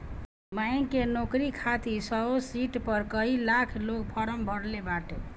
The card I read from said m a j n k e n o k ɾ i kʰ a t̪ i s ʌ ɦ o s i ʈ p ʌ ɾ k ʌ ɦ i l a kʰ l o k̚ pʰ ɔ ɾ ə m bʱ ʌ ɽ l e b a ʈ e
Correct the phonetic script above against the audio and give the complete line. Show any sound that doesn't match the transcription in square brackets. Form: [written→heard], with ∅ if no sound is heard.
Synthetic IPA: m a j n k e n o k ɾ i kʰ a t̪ i s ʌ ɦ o s i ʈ p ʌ ɾ k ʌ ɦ i l a kʰ l o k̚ pʰ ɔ ɾ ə m bʱ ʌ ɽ l e b a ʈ e

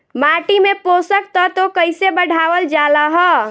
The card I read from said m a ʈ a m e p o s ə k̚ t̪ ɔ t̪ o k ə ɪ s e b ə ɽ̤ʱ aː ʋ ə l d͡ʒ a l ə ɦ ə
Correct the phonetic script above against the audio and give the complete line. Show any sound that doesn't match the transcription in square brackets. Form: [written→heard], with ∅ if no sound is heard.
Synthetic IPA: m a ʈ [a→i] m e p o s ə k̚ t̪ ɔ t̪ o k ə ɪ s e b ə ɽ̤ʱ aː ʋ ə l d͡ʒ a l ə ɦ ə

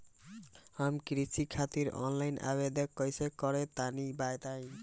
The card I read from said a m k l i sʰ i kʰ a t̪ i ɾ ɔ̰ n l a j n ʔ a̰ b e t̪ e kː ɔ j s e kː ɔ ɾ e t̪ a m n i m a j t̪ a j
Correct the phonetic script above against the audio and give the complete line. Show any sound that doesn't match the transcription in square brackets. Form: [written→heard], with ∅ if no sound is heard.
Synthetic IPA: a m k [l→ɾ] i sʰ i kʰ a t̪ i ɾ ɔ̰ n l a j n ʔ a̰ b e [t̪→d̪] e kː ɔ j s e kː ɔ ɾ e t̪ a [m→∅] n i [m→b] a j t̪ a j

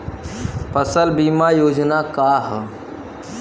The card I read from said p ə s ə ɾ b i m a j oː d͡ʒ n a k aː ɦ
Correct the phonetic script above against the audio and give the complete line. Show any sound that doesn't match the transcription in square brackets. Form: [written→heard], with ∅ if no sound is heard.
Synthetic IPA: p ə s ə [ɾ→l] b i m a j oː d͡ʒ n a k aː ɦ

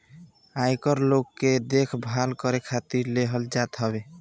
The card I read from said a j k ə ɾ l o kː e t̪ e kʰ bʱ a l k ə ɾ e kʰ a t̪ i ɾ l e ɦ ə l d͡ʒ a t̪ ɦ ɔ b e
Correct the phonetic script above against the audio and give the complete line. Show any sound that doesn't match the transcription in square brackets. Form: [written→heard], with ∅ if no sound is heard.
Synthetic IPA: a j k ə ɾ l o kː e [t̪→d̪] e kʰ bʱ a l k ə ɾ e kʰ a t̪ i ɾ l e ɦ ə l d͡ʒ a t̪ ɦ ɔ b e

